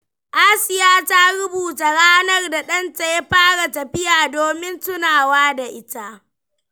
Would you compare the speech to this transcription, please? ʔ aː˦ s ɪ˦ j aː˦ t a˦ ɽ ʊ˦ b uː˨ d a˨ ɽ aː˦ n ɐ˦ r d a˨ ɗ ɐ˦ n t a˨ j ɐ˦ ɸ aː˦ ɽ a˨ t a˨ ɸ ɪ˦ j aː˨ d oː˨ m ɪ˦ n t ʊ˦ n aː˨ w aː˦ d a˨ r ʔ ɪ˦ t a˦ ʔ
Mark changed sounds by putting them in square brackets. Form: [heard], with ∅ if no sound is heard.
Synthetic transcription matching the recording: ʔ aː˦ s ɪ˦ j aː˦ t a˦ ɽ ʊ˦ b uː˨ [t] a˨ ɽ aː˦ n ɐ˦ r d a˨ ɗ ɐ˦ n t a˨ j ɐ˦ ɸ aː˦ ɽ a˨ t [ɐ˨] ɸ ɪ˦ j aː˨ d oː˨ m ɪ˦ n t ʊ˦ n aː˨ w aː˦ d a˨ [∅] ʔ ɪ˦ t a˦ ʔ